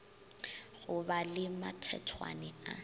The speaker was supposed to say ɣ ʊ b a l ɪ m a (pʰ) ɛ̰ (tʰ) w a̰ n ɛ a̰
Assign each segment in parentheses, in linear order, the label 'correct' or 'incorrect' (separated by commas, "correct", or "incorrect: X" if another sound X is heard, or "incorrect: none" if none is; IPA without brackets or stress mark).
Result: incorrect: tʰ, correct